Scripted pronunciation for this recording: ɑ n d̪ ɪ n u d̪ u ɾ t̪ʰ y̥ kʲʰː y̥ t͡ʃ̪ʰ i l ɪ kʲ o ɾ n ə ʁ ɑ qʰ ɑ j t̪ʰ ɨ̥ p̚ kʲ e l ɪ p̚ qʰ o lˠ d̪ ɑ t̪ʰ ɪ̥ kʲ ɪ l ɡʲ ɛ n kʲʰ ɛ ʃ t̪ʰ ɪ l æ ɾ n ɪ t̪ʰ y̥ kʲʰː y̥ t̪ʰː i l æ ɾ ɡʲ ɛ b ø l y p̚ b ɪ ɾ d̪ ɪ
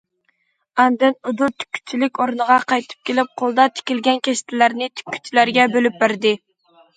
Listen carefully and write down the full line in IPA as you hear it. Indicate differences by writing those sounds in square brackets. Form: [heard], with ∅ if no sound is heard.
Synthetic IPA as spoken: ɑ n d̪ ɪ n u d̪ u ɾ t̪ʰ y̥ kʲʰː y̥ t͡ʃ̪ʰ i l ɪ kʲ o ɾ n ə ʁ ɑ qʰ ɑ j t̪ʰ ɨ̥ p̚ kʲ e l ɪ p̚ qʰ o lˠ d̪ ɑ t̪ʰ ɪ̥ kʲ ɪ l ɡʲ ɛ n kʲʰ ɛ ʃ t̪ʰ ɪ l æ ɾ n ɪ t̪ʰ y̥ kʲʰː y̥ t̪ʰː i l æ ɾ ɡʲ ɛ b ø l y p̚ b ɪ ɾ d̪ ɪ